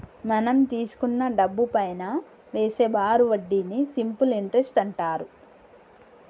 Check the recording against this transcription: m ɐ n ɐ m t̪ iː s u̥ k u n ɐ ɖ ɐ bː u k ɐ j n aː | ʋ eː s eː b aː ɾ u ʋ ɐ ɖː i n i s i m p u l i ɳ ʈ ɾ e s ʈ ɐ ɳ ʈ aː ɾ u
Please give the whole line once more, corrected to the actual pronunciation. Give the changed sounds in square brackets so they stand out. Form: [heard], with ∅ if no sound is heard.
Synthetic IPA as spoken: m ɐ n ɐ m t̪ iː s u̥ k u [nː] ɐ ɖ ɐ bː u [p] ɐ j n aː | ʋ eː s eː b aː ɾ u ʋ ɐ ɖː i n i s i m p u l i ɳ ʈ ɾ e s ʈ ɐ ɳ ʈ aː ɾ u